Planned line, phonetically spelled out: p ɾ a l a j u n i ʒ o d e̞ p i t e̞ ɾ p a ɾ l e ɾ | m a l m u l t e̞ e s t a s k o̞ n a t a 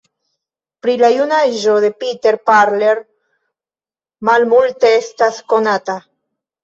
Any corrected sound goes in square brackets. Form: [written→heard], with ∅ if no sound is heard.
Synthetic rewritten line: p ɾ [a→i] l a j u n [i→a] ʒ o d e̞ p i t e̞ ɾ p a ɾ l e ɾ | m a l m u l t e̞ e s t a s k o̞ n a t a